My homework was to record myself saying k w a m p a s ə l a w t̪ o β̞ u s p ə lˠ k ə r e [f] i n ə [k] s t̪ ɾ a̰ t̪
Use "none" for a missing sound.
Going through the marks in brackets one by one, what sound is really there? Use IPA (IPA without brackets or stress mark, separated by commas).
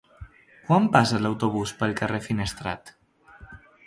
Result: f, none